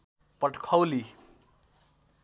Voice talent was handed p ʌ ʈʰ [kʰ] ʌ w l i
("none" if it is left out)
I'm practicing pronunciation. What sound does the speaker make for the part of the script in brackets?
kʰ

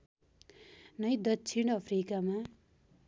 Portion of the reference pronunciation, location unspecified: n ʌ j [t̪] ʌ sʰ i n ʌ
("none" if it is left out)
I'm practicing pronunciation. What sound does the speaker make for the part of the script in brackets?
d̪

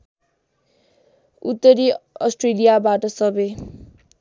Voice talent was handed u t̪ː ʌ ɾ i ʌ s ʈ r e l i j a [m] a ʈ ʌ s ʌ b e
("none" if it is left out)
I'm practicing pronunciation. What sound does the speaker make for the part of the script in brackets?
b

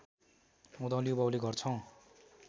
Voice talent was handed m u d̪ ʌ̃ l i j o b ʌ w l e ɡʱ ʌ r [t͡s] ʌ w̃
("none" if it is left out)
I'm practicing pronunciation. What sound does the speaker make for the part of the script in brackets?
t͡sʰ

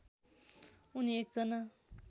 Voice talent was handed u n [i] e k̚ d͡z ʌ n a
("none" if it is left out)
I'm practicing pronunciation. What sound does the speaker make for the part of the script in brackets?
i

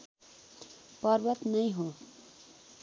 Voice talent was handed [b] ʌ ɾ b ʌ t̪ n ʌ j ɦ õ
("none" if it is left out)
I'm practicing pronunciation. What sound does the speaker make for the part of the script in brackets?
p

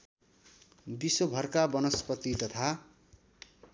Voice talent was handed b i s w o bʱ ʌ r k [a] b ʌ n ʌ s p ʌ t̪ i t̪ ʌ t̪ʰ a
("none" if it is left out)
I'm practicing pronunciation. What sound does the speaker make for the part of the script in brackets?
a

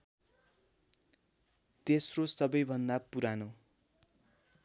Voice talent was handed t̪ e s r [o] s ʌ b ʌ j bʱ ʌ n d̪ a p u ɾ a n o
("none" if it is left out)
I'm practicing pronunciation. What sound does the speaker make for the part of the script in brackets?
o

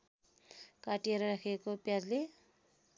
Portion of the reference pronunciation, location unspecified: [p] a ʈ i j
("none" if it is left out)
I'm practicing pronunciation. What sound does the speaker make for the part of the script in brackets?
k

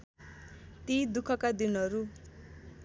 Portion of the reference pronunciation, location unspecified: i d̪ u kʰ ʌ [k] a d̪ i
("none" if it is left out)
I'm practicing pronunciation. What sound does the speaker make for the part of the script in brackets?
k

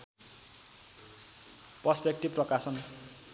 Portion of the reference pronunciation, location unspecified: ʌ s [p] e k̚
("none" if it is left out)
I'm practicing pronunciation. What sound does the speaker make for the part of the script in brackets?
p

